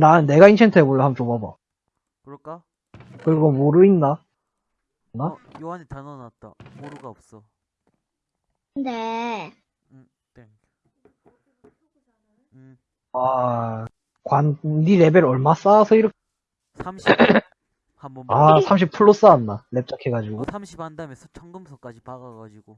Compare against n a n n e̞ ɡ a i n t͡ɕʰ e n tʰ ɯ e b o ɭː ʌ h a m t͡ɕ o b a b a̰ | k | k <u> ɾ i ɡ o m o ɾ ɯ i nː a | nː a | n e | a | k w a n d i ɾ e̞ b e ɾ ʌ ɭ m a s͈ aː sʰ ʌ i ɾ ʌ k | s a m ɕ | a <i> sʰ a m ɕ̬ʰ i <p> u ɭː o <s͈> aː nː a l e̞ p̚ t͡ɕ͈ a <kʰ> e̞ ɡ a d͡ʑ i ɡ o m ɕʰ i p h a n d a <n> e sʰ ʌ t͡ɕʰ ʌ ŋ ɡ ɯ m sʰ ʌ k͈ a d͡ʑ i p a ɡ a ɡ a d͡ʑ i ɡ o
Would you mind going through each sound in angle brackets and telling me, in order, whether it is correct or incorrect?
incorrect: ɯ, incorrect: a, incorrect: pʰ, correct, correct, incorrect: m

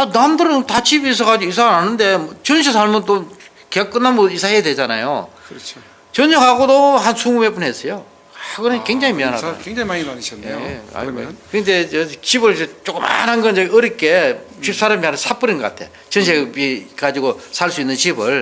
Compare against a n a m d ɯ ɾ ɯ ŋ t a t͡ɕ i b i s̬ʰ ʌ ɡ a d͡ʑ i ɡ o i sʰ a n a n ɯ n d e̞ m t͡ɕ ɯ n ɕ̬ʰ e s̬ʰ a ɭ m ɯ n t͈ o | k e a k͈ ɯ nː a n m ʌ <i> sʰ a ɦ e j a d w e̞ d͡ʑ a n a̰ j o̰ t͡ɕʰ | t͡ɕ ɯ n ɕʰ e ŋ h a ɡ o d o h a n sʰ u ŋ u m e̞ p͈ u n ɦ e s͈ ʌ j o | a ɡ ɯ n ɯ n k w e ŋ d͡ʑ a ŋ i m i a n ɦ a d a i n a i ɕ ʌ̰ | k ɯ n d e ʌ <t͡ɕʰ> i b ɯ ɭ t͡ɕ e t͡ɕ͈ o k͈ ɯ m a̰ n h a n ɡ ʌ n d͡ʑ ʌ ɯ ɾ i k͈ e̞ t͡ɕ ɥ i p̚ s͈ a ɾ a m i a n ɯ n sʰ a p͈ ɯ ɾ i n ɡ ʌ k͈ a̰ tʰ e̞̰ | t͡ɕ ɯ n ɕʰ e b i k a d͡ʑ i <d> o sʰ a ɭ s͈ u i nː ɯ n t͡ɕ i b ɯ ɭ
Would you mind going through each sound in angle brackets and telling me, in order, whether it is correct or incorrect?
correct, incorrect: t͡ɕ, incorrect: ɡ

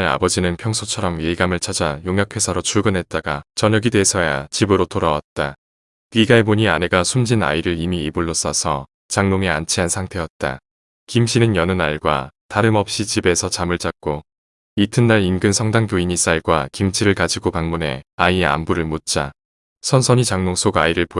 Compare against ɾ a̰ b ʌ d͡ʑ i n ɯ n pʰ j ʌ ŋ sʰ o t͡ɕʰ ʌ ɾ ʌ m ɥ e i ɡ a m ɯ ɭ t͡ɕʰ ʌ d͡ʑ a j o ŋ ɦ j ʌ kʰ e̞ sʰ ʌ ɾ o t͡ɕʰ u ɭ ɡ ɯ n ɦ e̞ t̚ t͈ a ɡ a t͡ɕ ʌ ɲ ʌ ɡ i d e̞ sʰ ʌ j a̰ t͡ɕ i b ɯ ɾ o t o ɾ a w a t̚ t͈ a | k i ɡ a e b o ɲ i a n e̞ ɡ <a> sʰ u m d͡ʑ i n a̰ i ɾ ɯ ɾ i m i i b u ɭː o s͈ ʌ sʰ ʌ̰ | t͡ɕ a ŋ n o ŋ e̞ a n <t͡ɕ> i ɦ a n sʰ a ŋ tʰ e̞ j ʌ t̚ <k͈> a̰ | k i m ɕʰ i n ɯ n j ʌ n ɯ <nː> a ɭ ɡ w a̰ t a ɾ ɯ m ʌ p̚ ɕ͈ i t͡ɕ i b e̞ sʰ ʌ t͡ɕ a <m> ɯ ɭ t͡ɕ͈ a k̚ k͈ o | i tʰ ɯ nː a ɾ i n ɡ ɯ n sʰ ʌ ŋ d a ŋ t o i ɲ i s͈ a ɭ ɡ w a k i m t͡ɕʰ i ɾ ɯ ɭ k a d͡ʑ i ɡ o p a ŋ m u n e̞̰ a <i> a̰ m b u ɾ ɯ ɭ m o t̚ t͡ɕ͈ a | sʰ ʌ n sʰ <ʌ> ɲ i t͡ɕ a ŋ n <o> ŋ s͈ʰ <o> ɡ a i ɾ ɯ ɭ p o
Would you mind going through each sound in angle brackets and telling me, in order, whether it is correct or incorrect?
correct, incorrect: t͡ɕʰ, incorrect: t͈, incorrect: n, correct, correct, correct, correct, correct

